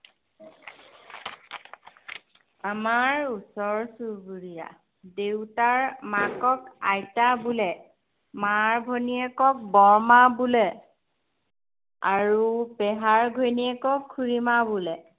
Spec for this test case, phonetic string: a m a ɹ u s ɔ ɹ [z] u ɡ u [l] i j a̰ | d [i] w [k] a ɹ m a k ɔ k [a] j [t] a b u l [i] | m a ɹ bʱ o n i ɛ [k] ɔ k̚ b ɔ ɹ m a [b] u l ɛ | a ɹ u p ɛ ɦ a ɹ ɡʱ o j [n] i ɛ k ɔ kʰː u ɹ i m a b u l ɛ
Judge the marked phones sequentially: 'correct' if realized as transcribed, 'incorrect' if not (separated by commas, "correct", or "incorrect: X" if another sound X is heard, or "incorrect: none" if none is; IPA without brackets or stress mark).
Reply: incorrect: s, incorrect: ɹ, incorrect: e, incorrect: t, correct, correct, incorrect: ɛ, correct, correct, correct